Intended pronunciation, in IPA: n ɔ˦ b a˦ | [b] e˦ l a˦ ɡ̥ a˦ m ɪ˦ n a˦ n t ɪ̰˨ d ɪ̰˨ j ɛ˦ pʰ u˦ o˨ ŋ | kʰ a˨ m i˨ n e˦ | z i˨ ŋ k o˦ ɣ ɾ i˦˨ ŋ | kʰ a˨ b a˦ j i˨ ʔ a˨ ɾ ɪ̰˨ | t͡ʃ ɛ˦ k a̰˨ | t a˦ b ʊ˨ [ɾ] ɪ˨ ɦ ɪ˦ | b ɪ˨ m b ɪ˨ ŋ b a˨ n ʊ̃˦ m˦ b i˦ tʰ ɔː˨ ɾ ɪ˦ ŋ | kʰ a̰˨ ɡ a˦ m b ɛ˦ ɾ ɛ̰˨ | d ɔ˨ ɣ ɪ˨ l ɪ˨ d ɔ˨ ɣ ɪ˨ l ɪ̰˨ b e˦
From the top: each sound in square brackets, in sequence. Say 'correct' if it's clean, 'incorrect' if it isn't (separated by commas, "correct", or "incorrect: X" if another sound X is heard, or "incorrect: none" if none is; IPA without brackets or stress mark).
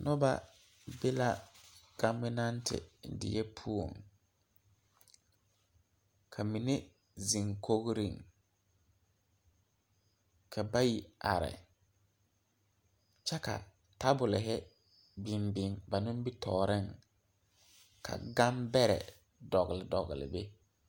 correct, incorrect: l